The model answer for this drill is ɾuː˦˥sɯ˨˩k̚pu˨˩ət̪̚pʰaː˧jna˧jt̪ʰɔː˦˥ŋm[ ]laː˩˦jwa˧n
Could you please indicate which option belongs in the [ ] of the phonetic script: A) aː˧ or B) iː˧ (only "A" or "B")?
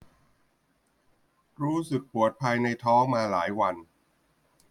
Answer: A